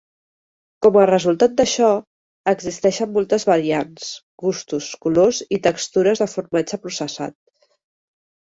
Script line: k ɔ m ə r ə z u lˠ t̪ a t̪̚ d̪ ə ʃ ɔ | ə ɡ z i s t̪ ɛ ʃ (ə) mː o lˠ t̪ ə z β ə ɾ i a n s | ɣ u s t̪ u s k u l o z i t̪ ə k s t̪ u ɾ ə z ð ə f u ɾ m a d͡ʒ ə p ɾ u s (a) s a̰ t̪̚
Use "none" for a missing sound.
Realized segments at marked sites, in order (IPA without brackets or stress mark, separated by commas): ə, ə